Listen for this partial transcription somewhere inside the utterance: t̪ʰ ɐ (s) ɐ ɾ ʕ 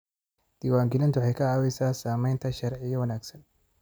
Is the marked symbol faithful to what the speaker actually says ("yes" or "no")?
no